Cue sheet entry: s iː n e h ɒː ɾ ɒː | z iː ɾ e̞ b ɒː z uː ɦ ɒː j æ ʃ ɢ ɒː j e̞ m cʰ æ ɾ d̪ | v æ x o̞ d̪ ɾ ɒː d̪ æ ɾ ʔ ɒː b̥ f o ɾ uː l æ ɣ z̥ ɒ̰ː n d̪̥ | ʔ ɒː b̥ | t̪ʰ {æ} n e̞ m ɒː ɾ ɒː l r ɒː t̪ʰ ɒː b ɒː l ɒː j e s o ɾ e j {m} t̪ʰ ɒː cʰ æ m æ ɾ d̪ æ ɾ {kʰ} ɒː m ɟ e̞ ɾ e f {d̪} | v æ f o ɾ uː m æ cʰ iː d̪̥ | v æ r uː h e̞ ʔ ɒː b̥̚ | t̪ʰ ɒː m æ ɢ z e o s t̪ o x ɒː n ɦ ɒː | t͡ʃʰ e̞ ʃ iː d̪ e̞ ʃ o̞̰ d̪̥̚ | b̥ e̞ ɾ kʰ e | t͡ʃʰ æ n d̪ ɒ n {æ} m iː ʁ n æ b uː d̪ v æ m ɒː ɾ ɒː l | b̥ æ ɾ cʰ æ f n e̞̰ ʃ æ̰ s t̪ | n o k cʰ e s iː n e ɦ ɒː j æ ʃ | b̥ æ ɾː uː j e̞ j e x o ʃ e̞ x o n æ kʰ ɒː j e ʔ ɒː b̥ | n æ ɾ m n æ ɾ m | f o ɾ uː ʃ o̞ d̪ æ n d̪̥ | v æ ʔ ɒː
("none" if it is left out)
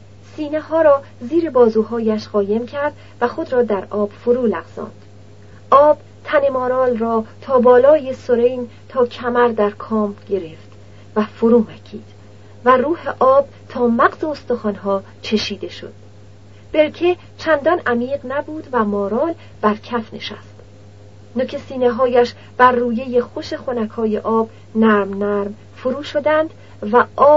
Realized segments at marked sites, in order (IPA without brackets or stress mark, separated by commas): æ, n, kʰ, t̪, æ